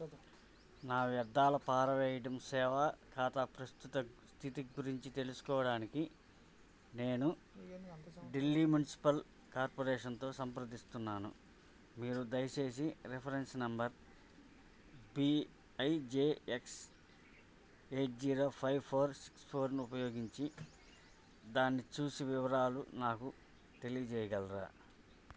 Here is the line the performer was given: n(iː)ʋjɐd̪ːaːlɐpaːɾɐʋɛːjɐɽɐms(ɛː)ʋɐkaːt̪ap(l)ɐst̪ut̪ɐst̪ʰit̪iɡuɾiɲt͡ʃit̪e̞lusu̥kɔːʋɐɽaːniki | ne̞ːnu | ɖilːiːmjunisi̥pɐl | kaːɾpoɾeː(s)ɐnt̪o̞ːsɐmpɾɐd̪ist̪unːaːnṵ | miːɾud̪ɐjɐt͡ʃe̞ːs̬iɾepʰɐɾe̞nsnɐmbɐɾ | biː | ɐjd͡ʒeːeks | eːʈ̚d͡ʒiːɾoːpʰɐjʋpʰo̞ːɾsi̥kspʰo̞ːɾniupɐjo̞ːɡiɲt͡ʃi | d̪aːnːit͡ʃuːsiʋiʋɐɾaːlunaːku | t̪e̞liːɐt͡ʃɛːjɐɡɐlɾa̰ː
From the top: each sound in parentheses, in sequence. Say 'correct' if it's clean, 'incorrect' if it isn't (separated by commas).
incorrect, correct, incorrect, incorrect